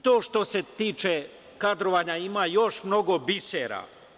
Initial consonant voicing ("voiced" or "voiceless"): voiceless